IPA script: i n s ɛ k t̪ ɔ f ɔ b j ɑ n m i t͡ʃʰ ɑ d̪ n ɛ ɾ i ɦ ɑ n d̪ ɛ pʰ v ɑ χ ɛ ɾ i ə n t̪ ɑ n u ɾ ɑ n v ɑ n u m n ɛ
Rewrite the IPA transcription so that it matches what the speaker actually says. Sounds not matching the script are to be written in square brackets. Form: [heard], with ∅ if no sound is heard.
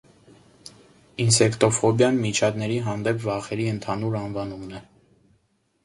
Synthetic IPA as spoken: i n s ɛ k t̪ ɔ f ɔ b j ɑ n m i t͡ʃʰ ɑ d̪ n ɛ ɾ i ɦ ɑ n d̪ ɛ pʰ v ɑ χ ɛ ɾ i ə n [t̪ʰ] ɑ n u ɾ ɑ n v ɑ n u m n ɛ